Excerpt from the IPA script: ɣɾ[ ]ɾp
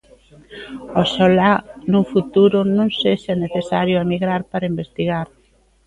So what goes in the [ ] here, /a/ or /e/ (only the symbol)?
a